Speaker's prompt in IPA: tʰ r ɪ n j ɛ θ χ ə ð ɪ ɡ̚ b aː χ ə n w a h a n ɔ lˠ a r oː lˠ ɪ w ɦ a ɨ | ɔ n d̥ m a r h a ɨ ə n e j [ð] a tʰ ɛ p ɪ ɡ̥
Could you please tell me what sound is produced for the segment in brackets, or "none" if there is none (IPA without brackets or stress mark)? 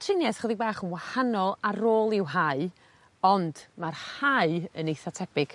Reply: θ